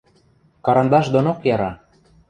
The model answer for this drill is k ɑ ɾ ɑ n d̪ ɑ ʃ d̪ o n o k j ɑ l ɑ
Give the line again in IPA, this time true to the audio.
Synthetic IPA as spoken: k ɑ ɾ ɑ n d̪ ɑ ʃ d̪ o n o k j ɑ ɾ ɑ